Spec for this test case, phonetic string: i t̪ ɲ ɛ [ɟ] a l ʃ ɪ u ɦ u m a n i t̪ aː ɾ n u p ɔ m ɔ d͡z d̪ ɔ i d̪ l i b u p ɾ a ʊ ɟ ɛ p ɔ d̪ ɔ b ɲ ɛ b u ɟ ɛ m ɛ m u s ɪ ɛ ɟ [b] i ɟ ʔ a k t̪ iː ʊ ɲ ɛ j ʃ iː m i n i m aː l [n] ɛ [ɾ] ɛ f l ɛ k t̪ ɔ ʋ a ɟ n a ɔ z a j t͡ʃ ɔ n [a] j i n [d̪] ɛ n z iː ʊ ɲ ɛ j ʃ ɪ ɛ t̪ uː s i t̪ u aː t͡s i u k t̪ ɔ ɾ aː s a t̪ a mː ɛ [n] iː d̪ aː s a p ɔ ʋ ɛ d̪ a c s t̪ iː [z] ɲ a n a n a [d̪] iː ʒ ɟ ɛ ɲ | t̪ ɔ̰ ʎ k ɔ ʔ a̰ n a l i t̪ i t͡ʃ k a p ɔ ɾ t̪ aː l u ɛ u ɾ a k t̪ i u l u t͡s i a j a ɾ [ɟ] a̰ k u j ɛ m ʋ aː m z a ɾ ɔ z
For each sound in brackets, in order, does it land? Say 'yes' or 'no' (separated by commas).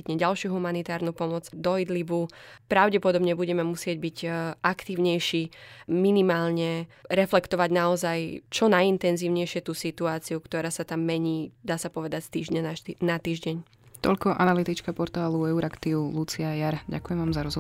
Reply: yes, yes, no, yes, yes, no, no, no, no, yes